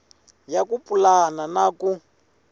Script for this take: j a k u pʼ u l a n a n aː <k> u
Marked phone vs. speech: correct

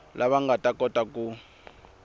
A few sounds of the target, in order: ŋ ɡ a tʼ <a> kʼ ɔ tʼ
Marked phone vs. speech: correct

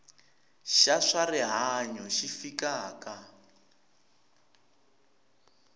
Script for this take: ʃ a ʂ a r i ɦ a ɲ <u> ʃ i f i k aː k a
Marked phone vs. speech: incorrect: ɔ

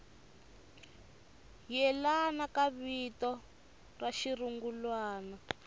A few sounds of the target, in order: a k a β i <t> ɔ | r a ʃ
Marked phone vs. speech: correct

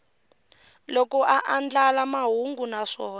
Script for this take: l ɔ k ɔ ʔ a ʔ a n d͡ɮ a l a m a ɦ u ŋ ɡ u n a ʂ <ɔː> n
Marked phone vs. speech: correct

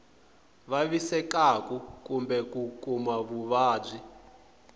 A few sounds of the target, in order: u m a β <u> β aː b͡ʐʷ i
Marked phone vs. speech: correct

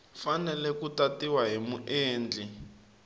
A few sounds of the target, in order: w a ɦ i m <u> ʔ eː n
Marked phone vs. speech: correct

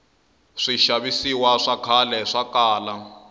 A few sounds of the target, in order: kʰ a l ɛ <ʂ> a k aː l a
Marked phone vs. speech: correct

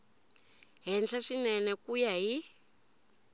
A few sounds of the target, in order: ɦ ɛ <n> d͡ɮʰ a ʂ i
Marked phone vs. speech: correct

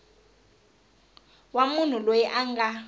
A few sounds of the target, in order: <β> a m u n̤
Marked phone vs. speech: incorrect: w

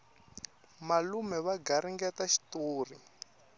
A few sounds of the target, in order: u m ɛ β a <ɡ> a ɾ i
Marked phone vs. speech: correct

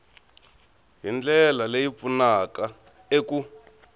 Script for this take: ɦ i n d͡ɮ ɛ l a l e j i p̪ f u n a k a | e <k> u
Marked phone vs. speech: correct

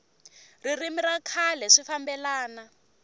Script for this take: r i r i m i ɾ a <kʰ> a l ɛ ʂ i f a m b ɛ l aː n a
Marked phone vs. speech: correct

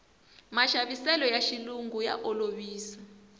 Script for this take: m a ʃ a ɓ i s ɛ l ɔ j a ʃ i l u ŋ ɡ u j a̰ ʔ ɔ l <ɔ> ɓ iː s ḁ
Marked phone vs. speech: incorrect: o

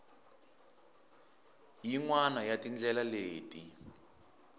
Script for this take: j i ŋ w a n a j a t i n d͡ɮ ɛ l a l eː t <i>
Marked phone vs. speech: correct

